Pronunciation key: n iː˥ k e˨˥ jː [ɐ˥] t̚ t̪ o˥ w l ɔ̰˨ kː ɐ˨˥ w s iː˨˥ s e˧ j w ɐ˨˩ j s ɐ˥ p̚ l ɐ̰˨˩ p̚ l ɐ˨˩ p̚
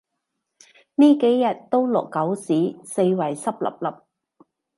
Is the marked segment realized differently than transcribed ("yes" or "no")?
yes